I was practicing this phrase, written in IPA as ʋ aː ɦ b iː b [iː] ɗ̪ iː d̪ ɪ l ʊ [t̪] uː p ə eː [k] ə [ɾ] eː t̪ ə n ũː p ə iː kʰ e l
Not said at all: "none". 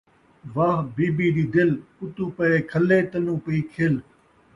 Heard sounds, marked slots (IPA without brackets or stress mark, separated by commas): iː, t̪, kʰ, l